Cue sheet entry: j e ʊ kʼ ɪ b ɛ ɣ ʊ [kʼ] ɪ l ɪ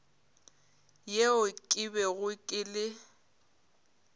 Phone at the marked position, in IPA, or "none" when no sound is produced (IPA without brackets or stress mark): kʼ